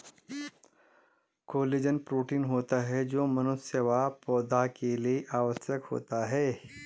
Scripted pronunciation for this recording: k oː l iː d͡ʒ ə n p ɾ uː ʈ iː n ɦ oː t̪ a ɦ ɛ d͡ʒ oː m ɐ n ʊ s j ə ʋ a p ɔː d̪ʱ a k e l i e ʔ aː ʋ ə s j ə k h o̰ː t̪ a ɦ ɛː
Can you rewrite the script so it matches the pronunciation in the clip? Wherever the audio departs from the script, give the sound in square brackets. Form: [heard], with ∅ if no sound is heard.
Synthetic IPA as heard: k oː l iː d͡ʒ ə n p ɾ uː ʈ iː n ɦ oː t̪ a ɦ ɛ d͡ʒ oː m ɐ n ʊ s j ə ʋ a p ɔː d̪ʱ a k e l i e ʔ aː ʋ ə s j ə k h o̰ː t̪ a ɦ ɛː

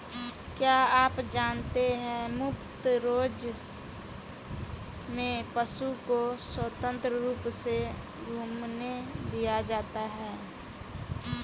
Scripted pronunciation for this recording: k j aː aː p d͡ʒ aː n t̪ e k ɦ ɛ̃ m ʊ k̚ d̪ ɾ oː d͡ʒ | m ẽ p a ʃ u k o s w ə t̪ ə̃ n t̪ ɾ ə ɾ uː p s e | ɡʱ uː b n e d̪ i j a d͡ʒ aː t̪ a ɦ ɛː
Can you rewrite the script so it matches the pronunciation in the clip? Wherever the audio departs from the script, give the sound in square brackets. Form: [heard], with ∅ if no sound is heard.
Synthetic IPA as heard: k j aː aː p d͡ʒ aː n t̪ e [∅] ɦ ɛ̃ m ʊ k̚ [t̪] ɾ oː d͡ʒ | m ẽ p [ə] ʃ u k o s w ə t̪ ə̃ n t̪ ɾ ə ɾ uː p s e | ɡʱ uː [m] n e d̪ i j a d͡ʒ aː t̪ a ɦ ɛː

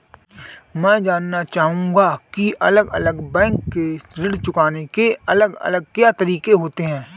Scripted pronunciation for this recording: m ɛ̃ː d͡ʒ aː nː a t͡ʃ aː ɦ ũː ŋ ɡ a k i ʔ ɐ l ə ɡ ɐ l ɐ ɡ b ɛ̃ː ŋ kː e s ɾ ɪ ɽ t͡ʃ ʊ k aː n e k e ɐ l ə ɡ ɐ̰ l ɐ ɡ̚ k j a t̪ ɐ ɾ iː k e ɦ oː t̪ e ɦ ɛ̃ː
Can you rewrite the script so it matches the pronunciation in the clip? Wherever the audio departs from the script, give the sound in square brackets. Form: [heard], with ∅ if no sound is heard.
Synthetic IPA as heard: m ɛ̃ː d͡ʒ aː nː a t͡ʃ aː ɦ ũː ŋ ɡ a k i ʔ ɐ l ə ɡ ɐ l [ə] ɡ b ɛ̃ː ŋ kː e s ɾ ɪ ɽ t͡ʃ ʊ k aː n e k e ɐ l ə ɡ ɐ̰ l [ə] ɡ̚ k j a t̪ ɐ ɾ iː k e ɦ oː t̪ e ɦ ɛ̃ː

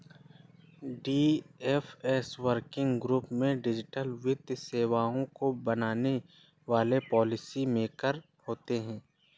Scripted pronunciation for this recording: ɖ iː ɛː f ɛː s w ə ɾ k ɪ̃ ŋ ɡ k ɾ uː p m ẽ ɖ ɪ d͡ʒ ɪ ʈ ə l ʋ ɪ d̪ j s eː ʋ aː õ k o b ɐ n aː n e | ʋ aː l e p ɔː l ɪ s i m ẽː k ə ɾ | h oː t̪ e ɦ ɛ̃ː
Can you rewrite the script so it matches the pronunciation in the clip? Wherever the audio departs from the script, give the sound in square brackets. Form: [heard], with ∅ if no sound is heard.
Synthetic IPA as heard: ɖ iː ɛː f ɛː s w ə ɾ k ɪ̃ ŋ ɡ [ɡ] ɾ uː p m ẽ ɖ ɪ d͡ʒ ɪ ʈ ə l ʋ ɪ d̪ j s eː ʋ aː õ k o b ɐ n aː n e | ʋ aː l e p ɔː l ɪ s i m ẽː k ə ɾ | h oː t̪ e ɦ ɛ̃ː

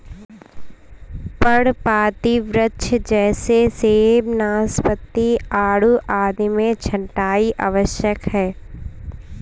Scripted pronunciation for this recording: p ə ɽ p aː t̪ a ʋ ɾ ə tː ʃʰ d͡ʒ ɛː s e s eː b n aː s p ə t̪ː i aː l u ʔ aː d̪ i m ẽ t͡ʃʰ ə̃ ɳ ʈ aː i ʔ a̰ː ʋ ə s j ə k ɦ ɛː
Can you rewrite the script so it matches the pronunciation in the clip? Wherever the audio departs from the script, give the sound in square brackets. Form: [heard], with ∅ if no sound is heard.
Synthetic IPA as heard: p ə ɽ p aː t̪ [i] ʋ ɾ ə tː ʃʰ d͡ʒ ɛː s e s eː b n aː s p ə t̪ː i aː [ɽ] u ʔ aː d̪ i m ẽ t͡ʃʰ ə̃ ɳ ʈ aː i ʔ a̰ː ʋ ə [ʃ] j ə k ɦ ɛː

